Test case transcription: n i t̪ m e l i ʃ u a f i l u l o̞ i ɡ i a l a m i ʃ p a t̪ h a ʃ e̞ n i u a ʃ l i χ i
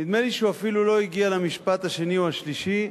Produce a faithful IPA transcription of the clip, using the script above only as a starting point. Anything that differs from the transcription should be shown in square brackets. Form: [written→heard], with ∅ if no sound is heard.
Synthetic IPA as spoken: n i [t̪→d̪] m e l i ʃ u a f i l u l o̞ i ɡ i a l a m i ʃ p a t̪ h a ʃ e̞ n i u a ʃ l i [χ→ʃ] i

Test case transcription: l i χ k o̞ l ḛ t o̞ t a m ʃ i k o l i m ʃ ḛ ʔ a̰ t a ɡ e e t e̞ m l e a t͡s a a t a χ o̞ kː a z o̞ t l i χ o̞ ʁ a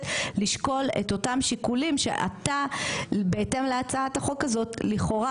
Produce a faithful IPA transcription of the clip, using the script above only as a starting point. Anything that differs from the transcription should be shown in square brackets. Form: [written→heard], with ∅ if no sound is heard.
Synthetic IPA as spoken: l i [χ→ʃ] k o̞ l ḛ t o̞ t a m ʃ i k [o→u] l i m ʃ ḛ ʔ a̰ t a [ɡ→b] e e t e̞ m l e a t͡s a a t a χ o̞ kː a z o̞ t l i χ o̞ ʁ a

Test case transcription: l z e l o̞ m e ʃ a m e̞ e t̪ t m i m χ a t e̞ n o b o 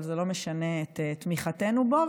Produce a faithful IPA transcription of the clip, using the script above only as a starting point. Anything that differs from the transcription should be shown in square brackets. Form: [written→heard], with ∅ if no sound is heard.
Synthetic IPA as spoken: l z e l o̞ m e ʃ a [m→n] e̞ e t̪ t m i [m→∅] χ a t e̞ n [o→u] b o

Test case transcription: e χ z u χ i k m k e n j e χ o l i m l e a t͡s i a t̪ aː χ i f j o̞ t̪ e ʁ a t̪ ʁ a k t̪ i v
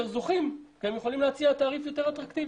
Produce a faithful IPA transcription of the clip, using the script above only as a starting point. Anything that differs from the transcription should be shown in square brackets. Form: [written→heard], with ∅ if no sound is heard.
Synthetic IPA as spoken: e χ z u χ i [k→∅] m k e [n→m] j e χ o l i m l e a t͡s i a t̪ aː [χ→ʁ] i f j o̞ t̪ e ʁ a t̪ ʁ a k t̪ i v

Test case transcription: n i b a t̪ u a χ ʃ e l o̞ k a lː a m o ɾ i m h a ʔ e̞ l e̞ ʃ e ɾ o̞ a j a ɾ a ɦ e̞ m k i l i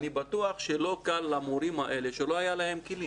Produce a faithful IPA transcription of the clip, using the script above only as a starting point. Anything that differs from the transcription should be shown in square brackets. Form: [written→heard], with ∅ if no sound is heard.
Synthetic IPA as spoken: n i b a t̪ u a χ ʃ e l o̞ k a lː a m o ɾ i m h a ʔ e̞ l e̞ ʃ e [ɾ→l] o̞ a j a [ɾ→l] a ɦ e̞ m k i l i

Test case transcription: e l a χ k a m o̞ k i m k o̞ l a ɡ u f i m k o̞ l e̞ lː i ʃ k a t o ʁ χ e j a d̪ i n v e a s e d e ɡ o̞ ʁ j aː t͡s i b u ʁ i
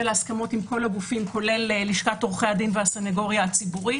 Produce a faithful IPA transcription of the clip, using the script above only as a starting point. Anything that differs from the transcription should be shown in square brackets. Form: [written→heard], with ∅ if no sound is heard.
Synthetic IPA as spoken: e l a [χ→s] k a m o̞ [k→t] i m k o̞ l a ɡ u f i m k o̞ l e̞ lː i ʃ k a t o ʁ χ e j a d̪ i n v e a s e [d→n] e ɡ o̞ ʁ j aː t͡s i b u ʁ i

